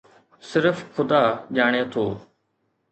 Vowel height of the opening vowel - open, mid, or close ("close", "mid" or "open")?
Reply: close